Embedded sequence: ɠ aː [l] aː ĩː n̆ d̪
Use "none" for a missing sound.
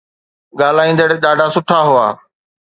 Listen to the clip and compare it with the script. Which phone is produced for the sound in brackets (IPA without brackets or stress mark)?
l